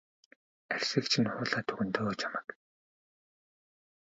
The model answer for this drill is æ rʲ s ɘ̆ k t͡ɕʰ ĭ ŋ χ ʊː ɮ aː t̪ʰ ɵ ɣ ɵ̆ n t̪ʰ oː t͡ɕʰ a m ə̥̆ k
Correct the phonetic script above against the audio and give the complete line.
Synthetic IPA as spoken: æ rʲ s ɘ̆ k t͡ɕʰ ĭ n χ ʊː ɮ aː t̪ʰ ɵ ɣ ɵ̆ n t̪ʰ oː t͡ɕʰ a m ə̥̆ k